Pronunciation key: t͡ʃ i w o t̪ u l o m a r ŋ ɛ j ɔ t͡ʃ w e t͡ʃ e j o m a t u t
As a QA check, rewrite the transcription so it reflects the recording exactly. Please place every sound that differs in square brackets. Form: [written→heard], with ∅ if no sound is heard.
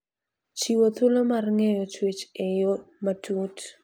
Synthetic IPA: t͡ʃ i w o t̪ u l o m a r ŋ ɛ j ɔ t͡ʃ w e t͡ʃ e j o m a t u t